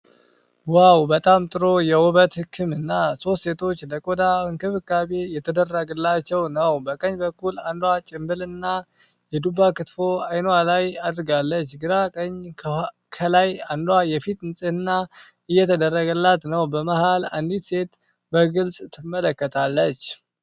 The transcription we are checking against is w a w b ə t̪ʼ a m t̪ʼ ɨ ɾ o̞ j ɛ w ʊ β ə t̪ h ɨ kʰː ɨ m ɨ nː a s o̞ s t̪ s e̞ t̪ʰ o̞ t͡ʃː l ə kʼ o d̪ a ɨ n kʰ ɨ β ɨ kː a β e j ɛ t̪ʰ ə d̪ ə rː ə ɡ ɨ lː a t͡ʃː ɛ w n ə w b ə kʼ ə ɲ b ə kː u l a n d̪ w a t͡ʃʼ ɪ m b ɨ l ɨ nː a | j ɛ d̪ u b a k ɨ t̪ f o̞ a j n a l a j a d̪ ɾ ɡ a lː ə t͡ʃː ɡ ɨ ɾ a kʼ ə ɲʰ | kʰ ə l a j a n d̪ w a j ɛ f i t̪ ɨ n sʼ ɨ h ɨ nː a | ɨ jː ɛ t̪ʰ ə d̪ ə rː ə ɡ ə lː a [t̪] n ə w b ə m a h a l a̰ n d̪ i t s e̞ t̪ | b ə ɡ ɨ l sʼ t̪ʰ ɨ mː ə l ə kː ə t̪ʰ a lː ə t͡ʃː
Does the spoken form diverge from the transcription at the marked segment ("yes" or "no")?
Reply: no